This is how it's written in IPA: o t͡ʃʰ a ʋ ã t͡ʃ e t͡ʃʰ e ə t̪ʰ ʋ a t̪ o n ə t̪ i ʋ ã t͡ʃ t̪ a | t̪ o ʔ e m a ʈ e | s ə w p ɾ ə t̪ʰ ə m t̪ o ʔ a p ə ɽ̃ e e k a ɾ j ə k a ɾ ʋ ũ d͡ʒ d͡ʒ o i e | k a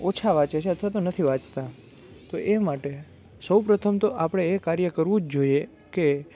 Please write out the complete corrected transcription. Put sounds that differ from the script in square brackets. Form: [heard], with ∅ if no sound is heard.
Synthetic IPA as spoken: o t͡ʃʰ a ʋ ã t͡ʃ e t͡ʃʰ e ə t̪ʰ ʋ a t̪ o n ə [t̪ʰ] i ʋ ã t͡ʃ t̪ a | t̪ o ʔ e m a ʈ e | s ə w p ɾ ə t̪ʰ ə m t̪ o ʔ a p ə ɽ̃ e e k a ɾ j ə k [ə] ɾ ʋ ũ d͡ʒ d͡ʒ o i e | k [e]